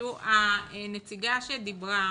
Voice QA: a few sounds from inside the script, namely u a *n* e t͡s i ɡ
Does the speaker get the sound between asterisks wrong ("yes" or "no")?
no